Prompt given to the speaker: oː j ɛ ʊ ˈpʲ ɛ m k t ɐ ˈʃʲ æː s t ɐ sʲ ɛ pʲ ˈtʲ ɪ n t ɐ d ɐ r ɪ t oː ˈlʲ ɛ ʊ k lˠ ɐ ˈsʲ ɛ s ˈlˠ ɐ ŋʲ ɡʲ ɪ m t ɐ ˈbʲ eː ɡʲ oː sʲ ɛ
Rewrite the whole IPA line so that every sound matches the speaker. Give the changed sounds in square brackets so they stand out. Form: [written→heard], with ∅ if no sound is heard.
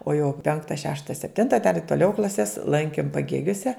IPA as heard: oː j ɛ ʊ ˈpʲ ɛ [m→ŋ] k t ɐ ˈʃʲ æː [s→ʃ] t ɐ sʲ ɛ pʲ ˈtʲ ɪ n t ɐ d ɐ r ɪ t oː ˈlʲ ɛ ʊ k lˠ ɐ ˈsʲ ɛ s ˈlˠ ɐ ŋʲ [ɡʲ→kʲ] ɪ m [t→p] ɐ [ˈbʲ→ˈɡʲ] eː ɡʲ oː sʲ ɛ